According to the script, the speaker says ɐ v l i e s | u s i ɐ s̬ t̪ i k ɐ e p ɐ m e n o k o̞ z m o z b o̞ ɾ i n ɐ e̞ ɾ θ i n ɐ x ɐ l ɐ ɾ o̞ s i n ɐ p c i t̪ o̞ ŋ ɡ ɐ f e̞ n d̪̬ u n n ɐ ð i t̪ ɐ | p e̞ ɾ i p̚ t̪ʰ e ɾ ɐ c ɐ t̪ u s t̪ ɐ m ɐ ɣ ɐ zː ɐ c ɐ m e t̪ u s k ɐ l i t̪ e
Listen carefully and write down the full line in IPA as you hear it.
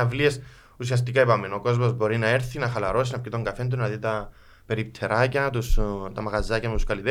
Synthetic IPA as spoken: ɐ v l i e s | u s i ɐ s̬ t̪ i k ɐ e p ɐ m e n o k o̞ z m o z b o̞ ɾ i n ɐ e̞ ɾ θ i n ɐ x ɐ l ɐ ɾ o̞ s i n ɐ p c i t̪ o̞ ŋ ɡ ɐ f e̞ n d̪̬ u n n ɐ ð i t̪ ɐ | p e̞ ɾ i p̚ t̪ʰ e ɾ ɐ c ɐ t̪ u s t̪ ɐ m ɐ ɣ ɐ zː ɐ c ɐ m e t̪ u s k ɐ l i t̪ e